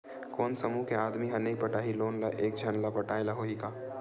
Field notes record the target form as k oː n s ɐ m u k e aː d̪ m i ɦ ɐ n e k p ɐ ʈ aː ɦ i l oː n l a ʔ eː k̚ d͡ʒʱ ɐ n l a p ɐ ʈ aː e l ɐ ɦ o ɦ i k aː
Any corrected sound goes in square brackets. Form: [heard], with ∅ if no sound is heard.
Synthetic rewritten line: k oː n s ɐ m u k e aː d̪ m i ɦ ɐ n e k p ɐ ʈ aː ɦ i l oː n l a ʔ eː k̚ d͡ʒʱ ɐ n l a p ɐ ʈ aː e l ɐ ɦ o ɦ i k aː